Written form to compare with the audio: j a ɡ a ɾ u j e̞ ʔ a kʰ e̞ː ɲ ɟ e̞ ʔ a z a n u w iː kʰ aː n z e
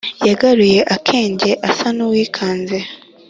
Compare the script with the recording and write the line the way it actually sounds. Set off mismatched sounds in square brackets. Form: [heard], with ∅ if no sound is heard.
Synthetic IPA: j a ɡ a ɾ u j e̞ ʔ a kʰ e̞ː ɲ ɟ e̞ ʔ a [s] a n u w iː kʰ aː n z e